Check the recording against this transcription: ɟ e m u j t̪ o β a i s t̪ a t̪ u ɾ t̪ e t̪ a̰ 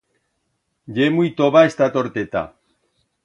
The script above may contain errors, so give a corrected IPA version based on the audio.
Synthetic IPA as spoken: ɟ e m u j t̪ o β a e s t̪ a t̪ o ɾ t̪ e t̪ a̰